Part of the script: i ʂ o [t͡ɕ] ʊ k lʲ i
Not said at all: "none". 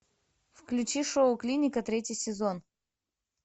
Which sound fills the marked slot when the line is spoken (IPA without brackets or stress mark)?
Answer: none